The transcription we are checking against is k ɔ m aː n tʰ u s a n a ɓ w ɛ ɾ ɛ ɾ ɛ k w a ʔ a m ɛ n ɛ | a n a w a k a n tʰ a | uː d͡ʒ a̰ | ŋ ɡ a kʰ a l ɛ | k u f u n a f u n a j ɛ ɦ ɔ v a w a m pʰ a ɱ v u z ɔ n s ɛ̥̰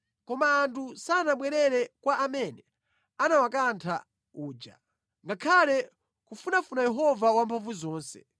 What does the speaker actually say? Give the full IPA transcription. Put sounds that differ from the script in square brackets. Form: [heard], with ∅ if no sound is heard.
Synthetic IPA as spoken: k ɔ m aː n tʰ u s a n a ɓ w ɛ ɾ ɛ ɾ ɛ k w a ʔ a m ɛ n ɛ | a n a w a k a n tʰ a | uː d͡ʒ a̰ | ŋ ɡ a kʰ a l ɛ | k u f u n a f u n a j ɛ ɦ ɔ v a w a m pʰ a ɱ v u z [ɔː] n s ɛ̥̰

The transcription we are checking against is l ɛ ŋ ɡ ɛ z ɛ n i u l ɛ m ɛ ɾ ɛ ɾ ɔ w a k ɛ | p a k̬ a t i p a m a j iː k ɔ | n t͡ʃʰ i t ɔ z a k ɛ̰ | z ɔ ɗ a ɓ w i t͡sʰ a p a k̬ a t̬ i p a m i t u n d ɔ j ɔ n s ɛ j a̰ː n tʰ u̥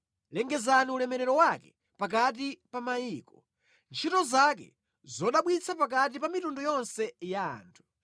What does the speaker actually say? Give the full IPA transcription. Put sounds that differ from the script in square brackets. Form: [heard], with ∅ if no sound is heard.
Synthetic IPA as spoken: l ɛ ŋ ɡ ɛ z [a] n i u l ɛ m ɛ ɾ ɛ ɾ ɔ w a k ɛ | p a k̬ a t i p a m a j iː k ɔ | n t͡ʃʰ i t ɔ z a k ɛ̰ | z ɔ ɗ a ɓ w i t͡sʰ a p a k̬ a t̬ i p a m i t u n d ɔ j ɔ n s ɛ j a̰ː n tʰ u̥

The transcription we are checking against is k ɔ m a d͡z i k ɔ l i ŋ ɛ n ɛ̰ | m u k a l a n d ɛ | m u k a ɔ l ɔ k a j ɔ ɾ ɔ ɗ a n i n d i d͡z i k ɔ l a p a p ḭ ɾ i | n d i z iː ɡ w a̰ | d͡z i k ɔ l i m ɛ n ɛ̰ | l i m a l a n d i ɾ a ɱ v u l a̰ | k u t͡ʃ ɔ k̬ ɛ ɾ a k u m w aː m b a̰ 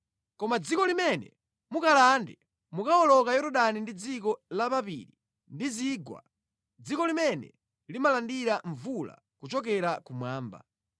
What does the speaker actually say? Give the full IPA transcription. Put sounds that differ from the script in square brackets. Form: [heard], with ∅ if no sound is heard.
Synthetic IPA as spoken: k ɔ m a d͡z i k ɔ l i [m] ɛ n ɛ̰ | m u k a l a n d ɛ | m u k a ɔ l ɔ k a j ɔ ɾ ɔ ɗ a n i n d i d͡z i k ɔ l a p a p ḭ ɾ i | n d i z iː ɡ w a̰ | d͡z i k ɔ l i m ɛ n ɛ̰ | l i m a l a n d i ɾ a ɱ v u l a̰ | k u t͡ʃ ɔ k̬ ɛ ɾ a k u m w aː m b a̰

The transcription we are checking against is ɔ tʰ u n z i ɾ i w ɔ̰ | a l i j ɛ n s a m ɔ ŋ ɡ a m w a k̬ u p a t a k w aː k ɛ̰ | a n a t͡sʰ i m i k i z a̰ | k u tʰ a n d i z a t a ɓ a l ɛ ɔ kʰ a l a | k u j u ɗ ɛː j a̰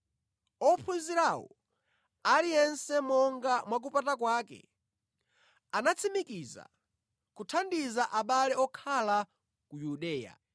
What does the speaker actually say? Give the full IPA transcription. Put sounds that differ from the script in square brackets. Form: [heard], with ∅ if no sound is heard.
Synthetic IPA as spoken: ɔ [pʰ] u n z i ɾ [a] w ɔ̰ | a l i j ɛ n s [ɛ] m ɔ ŋ ɡ a m w a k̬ u p a t a k w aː k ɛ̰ | a n a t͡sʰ i m i k i z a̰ | k u tʰ a n d i z a [ʔ] a ɓ a l ɛ ɔ kʰ a l a | k u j u ɗ ɛː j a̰

